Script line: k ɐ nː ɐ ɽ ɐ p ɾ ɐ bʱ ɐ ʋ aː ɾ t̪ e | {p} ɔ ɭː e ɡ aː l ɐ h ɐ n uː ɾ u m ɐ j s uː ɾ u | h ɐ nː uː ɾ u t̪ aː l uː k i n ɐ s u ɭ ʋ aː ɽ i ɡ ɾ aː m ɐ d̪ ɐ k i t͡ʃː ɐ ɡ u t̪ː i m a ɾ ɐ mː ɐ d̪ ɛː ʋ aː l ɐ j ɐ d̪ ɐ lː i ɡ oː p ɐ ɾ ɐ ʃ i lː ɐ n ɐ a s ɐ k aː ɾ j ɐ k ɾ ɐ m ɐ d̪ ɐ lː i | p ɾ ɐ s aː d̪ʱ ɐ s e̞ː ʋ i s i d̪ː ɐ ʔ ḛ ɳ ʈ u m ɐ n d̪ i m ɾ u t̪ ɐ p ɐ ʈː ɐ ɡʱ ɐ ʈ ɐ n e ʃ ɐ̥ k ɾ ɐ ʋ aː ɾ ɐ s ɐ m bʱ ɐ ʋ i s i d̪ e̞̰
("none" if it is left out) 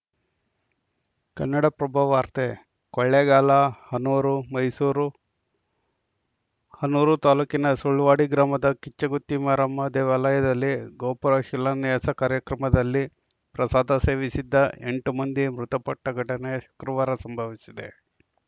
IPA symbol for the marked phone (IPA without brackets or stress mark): k